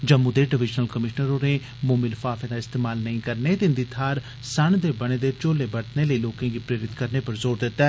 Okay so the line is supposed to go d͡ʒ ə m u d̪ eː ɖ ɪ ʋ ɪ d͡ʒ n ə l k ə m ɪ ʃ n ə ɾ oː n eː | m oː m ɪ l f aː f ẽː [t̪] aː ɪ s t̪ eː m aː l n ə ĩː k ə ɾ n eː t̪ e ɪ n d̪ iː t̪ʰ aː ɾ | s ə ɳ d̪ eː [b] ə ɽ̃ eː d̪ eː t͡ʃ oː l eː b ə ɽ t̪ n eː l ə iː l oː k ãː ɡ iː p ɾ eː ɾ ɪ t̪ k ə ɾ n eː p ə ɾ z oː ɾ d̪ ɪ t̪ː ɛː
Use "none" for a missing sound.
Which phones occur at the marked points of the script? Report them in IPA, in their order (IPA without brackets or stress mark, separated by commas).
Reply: d̪, b